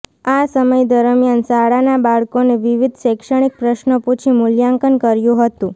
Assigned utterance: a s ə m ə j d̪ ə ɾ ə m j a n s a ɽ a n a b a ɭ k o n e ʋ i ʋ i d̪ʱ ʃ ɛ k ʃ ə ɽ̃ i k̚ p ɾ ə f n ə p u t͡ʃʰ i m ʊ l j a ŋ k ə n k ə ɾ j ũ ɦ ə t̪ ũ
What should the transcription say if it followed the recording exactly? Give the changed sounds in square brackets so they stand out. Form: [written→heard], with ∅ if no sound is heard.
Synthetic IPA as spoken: a s ə m ə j d̪ ə ɾ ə m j a n s a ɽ a n a b a ɭ k o n e ʋ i ʋ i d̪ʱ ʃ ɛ k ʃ ə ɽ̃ i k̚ p ɾ ə [f→ʃ] n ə p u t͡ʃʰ i m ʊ l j a ŋ k ə n k ə ɾ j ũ ɦ ə t̪ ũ